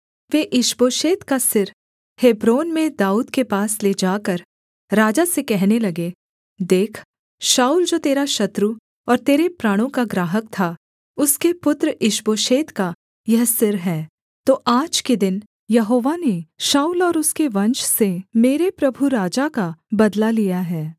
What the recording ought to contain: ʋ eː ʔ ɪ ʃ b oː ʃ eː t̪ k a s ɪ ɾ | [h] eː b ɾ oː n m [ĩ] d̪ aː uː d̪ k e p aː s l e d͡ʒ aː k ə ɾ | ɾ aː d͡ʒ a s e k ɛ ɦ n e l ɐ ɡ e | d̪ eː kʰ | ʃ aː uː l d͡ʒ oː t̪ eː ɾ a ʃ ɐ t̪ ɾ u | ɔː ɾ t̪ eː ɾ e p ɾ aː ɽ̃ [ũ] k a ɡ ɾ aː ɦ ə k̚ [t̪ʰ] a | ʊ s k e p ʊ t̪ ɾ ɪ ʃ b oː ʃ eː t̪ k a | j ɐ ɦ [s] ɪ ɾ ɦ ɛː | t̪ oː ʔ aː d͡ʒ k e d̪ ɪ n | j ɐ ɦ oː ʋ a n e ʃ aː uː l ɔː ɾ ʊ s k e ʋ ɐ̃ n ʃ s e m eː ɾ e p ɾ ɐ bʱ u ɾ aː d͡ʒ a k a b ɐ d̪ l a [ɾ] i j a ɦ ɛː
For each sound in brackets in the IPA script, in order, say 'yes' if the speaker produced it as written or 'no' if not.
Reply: yes, no, no, yes, yes, no

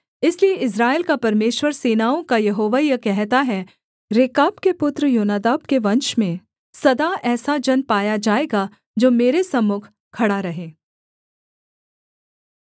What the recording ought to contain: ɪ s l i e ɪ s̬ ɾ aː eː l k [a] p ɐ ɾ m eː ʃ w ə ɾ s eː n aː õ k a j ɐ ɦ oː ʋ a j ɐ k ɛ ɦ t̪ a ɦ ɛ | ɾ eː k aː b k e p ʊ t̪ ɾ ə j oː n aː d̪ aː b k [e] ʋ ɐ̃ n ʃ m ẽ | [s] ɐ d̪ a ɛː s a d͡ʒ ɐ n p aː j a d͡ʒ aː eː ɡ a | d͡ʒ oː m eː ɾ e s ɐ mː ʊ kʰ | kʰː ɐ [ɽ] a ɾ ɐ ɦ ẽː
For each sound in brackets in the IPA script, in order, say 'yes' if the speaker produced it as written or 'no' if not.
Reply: yes, yes, yes, yes

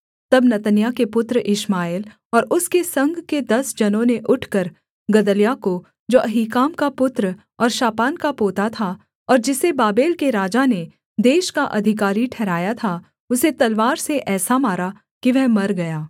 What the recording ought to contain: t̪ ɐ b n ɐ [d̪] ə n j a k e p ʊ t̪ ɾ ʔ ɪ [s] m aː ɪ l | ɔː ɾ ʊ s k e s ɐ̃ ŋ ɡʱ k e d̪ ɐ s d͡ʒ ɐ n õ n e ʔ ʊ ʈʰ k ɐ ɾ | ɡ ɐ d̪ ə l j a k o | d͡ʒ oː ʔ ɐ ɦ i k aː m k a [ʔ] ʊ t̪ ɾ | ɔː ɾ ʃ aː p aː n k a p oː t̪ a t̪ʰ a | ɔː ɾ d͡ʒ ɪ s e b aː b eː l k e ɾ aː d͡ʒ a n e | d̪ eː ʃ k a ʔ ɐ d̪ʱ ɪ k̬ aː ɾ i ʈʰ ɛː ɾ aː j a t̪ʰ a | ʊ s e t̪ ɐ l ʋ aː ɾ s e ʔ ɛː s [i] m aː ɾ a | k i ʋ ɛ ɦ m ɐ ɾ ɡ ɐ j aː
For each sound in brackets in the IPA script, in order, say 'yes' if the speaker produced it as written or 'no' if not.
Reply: no, no, no, no

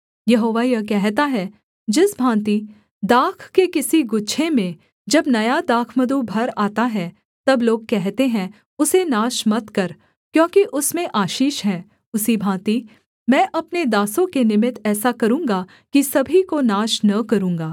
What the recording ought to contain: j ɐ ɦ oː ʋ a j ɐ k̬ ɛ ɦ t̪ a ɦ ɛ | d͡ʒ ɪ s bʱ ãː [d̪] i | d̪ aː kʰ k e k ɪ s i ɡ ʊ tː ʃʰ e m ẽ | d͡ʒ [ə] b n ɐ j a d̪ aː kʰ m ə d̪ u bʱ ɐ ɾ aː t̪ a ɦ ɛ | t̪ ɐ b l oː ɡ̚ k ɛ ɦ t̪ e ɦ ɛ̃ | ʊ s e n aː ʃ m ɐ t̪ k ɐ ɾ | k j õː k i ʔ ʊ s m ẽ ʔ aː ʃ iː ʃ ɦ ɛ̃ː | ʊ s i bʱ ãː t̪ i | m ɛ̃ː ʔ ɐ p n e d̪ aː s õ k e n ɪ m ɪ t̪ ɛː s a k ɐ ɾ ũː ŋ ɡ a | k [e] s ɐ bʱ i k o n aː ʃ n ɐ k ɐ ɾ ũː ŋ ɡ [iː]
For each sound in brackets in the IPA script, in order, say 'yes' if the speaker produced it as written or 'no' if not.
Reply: no, no, no, no

